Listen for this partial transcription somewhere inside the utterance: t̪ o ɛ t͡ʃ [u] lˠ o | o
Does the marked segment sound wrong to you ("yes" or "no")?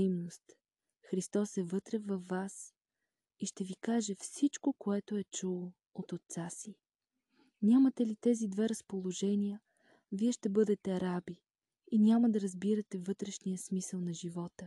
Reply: no